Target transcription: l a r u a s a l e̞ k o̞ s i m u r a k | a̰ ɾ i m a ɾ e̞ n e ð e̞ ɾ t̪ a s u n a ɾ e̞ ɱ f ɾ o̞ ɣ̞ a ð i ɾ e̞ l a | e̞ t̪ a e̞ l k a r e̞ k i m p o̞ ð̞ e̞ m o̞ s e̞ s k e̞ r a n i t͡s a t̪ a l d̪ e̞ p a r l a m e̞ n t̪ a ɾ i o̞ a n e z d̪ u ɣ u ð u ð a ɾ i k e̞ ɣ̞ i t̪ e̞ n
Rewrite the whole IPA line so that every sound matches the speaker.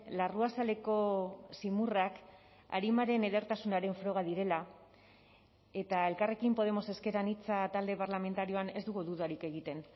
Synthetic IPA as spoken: l a r u a s a l e̞ k o̞ s i m u r a k | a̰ ɾ i m a ɾ e̞ n e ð e̞ ɾ t̪ a s u n a ɾ e̞ ɱ f ɾ o̞ ɣ̞ a ð i ɾ e̞ l a | e̞ t̪ a e̞ l k a r e̞ k i m p o̞ ð̞ e̞ m o̞ s e̞ s k e̞ ɾ a n i t͡s a t̪ a l d̪ e̞ p a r l a m e̞ n t̪ a ɾ i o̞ a n e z d̪ u ɣ u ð u ð a ɾ i k e̞ ɣ̞ i t̪ e̞ n